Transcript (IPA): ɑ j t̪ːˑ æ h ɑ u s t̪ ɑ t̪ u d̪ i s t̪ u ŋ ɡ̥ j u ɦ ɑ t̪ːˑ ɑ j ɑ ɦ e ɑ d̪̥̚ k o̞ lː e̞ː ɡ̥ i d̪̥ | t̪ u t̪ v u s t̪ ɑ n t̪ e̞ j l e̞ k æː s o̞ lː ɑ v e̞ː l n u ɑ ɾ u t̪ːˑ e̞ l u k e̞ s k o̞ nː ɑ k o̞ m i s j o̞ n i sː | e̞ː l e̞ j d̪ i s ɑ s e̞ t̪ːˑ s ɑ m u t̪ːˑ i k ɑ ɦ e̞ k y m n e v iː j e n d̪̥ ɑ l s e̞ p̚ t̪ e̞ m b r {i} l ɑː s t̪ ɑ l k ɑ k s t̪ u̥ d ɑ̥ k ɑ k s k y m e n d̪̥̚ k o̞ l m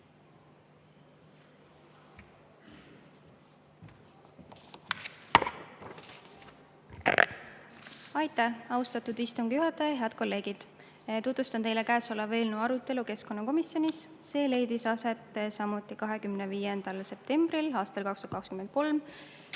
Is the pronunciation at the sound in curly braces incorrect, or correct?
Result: correct